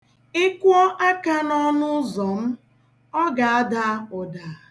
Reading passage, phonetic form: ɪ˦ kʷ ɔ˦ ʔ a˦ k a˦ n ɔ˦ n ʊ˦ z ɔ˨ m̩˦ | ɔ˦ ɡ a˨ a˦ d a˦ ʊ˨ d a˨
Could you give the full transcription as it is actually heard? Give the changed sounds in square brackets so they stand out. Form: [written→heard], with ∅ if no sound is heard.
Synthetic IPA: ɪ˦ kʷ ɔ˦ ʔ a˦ k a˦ n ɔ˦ n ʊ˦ z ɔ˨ m̩˦ | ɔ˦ ɡ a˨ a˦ d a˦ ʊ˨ d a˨